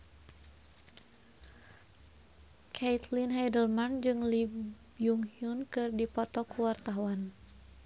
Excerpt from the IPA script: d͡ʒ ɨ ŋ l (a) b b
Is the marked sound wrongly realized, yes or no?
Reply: yes